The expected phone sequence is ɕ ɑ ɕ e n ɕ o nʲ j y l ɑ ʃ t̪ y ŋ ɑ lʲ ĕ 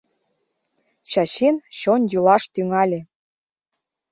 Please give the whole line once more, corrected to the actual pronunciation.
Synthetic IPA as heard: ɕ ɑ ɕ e n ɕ o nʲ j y l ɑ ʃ t̪ y ŋ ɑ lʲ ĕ